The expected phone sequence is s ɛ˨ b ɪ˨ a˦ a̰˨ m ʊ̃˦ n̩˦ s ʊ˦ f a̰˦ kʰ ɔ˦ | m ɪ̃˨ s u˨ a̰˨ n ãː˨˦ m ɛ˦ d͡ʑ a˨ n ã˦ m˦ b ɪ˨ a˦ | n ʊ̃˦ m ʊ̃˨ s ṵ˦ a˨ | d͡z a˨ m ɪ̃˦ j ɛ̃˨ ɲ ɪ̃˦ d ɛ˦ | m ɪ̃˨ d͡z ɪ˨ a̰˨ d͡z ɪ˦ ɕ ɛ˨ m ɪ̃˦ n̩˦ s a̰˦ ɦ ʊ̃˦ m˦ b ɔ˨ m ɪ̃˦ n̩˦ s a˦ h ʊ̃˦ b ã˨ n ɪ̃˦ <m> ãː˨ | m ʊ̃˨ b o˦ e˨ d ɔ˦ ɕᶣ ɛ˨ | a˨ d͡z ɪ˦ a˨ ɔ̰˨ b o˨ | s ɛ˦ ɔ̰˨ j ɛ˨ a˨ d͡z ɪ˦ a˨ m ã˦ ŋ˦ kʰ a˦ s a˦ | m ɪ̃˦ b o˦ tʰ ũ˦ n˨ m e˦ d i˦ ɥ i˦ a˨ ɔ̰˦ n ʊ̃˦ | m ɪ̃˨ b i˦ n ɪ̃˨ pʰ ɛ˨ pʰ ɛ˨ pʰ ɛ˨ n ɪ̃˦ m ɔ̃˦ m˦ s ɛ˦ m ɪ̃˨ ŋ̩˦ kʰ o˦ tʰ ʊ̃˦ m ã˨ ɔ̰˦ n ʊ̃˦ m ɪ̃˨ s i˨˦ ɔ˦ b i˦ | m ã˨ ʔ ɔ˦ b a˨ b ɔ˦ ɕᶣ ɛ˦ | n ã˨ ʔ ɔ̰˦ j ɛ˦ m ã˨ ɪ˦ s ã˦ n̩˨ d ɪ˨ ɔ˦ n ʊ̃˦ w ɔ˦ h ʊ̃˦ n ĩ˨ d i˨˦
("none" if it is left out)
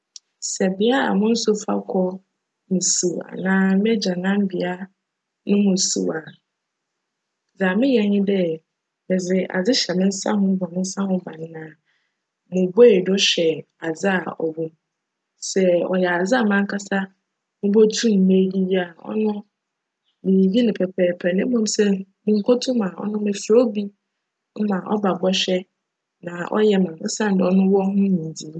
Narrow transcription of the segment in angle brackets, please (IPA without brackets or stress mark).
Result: n